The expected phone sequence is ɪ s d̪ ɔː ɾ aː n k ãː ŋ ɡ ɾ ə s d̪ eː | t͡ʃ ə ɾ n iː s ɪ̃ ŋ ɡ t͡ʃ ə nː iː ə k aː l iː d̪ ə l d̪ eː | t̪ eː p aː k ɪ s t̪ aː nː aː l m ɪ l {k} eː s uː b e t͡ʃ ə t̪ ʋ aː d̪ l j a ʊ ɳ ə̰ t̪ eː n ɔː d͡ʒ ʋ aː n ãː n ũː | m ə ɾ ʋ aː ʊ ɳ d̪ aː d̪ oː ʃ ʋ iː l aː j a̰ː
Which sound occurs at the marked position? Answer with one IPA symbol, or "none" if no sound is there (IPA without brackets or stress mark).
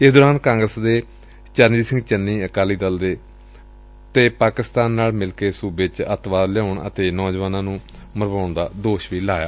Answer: k